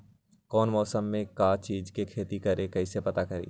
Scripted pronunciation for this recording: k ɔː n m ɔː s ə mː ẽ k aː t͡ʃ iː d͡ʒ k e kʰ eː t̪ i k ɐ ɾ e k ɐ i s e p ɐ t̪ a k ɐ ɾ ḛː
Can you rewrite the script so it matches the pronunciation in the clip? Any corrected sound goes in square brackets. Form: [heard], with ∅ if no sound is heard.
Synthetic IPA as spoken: k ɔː n m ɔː s ə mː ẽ k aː t͡ʃ iː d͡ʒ k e kʰ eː t̪ i k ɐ ɾ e k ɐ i s e p ɐ t̪ a k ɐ ɾ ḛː